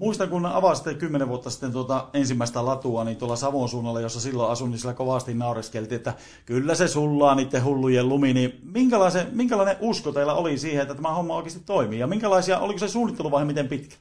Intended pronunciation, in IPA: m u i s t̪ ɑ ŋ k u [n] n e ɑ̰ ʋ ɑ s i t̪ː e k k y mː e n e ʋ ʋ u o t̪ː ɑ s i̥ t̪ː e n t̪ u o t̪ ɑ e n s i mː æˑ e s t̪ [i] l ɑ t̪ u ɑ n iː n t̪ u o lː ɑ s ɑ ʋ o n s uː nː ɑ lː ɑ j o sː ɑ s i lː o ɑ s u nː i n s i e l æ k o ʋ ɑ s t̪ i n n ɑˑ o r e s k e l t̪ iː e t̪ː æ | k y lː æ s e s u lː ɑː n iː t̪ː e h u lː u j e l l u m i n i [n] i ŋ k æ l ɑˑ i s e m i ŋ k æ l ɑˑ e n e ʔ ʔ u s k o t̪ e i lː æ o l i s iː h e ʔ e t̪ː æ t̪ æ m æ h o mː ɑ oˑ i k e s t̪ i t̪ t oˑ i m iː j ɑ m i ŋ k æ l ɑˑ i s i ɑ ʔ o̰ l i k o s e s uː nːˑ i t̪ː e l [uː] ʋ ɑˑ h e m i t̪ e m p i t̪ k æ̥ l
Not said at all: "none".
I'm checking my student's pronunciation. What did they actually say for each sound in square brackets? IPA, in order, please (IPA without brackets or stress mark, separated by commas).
n, æ, m, u